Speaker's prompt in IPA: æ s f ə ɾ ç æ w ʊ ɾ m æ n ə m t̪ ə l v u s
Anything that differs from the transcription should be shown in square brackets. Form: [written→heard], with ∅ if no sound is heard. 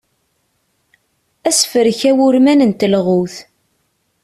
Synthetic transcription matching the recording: æ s f ə ɾ ç æ w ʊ ɾ m æ n ə [m→n] t̪ ə l [v→ʁ] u [s→θ]